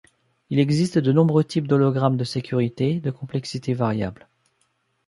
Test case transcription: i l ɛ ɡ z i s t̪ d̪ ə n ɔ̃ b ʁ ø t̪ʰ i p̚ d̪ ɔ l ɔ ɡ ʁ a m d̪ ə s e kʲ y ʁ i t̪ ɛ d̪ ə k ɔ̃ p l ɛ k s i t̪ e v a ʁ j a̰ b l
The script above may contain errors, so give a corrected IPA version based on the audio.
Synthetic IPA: i l ɛ ɡ z i s t̪ d̪ ə n ɔ̃ b ʁ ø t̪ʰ i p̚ d̪ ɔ l ɔ ɡ ʁ a m d̪ ə s e kʲ y ʁ i t̪ e d̪ ə k ɔ̃ p l ɛ k s i t̪ e v a ʁ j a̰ b l